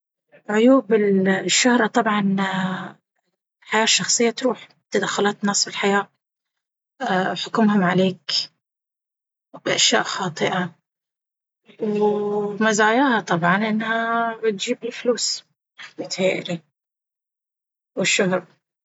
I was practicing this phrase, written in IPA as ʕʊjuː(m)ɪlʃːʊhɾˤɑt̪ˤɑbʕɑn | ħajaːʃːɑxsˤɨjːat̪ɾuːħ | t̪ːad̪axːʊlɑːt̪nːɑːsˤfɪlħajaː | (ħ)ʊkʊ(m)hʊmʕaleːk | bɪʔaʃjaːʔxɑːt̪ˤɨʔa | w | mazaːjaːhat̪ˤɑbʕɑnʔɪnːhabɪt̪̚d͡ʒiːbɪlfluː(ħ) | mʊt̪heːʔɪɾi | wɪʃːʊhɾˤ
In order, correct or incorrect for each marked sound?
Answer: incorrect, correct, correct, incorrect

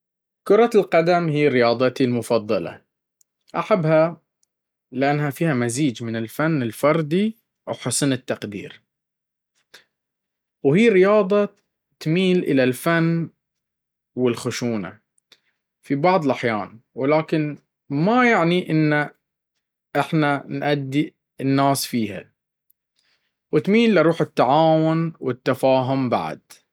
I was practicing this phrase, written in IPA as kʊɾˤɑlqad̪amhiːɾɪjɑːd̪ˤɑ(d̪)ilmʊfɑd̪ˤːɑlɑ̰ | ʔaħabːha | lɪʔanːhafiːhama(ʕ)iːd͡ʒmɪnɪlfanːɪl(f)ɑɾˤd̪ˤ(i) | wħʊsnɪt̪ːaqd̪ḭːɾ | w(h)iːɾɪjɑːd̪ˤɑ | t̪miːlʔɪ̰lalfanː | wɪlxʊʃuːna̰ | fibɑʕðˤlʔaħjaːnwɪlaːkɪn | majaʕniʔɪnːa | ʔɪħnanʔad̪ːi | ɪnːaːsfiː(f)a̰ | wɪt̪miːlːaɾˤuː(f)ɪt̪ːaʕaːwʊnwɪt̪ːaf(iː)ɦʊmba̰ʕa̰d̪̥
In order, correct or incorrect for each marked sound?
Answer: incorrect, incorrect, correct, correct, correct, incorrect, incorrect, incorrect

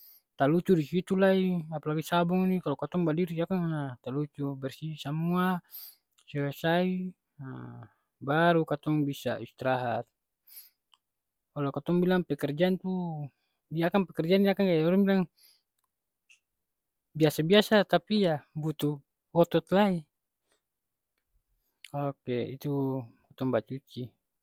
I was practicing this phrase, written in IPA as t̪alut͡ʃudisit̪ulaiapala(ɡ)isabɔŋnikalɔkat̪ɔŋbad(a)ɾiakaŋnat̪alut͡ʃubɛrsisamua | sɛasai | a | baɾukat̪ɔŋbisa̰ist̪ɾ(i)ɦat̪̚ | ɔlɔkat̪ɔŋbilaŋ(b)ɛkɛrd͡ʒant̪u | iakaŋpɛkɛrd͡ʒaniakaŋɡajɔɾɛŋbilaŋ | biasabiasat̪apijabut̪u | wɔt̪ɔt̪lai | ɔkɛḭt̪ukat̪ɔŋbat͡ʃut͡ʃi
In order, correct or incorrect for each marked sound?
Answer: correct, incorrect, incorrect, incorrect

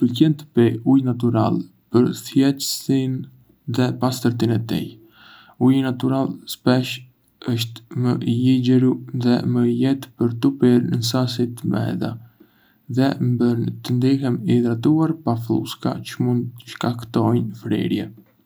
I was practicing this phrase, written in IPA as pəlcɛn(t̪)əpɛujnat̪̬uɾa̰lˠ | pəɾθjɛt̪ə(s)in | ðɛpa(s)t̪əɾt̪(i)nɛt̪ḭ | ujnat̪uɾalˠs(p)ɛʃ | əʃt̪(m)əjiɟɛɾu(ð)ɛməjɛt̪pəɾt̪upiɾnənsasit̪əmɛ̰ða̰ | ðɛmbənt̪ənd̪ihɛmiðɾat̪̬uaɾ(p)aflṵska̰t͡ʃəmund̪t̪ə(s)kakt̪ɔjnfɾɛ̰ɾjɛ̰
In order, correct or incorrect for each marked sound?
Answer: correct, correct, correct, correct, correct, correct, correct, correct, incorrect

